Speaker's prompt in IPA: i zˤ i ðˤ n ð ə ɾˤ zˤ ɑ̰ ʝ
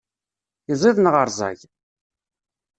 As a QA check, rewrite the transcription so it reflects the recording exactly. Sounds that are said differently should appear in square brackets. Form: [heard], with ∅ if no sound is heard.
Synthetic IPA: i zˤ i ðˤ n [ʁ] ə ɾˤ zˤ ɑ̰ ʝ

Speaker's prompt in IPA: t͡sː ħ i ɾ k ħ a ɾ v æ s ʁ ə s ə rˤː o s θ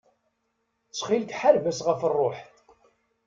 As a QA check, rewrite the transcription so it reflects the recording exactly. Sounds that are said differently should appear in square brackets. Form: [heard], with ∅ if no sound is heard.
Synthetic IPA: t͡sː [χ] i [l] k ħ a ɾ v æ s ʁ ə [f] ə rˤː o [ħ] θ

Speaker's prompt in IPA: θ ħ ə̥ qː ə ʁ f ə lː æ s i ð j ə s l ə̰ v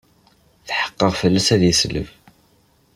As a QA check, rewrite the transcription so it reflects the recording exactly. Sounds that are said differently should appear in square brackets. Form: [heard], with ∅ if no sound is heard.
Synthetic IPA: θ ħ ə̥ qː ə ʁ f ə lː æ s [æ] ð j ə s l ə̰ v

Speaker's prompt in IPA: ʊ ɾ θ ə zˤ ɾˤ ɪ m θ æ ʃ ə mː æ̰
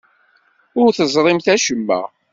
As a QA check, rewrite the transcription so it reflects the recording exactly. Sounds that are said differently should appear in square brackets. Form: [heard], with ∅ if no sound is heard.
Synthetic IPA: ʊ ɾ θ ə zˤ ɾˤ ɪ m θ æ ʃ ə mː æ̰

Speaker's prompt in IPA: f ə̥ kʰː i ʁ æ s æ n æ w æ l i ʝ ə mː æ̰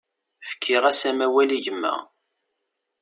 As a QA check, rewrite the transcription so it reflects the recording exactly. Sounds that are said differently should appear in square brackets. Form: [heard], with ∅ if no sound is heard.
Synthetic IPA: f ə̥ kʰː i ʁ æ s æ [m] æ w æ l i ʝ ə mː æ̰

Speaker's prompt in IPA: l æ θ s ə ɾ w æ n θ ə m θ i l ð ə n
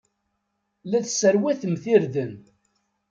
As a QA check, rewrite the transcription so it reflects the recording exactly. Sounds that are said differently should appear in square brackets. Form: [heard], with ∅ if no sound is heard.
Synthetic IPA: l æ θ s ə ɾ w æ [∅] θ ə m θ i [ɾ] ð ə n

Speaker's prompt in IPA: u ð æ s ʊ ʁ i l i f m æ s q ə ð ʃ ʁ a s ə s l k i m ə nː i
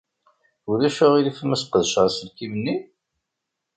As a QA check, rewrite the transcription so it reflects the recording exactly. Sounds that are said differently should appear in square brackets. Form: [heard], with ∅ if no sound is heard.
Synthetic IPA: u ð æ [ʃ] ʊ ʁ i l i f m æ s q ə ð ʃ ʁ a s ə [∅] l k i m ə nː i

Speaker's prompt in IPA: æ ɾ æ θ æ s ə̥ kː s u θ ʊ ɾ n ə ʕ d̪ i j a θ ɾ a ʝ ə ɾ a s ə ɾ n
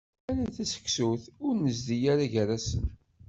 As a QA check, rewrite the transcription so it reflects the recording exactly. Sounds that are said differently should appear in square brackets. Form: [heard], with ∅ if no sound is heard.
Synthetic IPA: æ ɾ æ θ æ s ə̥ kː s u θ ʊ ɾ n ə [z] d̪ i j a [∅] ɾ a ʝ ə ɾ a s ə [∅] n

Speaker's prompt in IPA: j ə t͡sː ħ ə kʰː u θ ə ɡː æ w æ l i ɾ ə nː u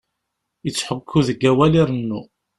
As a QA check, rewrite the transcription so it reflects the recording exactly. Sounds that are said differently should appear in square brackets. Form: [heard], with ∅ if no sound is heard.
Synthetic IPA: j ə t͡sː ħ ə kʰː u [ð] ə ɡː æ w æ l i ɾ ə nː u

